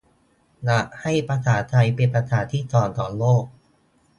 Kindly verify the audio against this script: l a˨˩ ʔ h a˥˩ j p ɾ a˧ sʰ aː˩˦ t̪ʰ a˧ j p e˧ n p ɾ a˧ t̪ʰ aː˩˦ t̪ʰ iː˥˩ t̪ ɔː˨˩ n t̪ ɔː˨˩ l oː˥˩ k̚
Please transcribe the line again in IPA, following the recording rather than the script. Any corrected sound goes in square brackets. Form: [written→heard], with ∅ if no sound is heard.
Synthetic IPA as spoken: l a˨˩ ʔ h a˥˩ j p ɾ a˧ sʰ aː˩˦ t̪ʰ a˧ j p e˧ n p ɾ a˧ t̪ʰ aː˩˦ t̪ʰ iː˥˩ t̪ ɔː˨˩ n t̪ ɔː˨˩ l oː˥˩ k̚